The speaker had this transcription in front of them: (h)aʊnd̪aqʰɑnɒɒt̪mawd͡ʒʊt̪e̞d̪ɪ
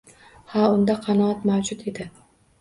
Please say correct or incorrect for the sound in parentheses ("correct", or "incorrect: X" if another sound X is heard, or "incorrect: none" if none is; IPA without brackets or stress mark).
correct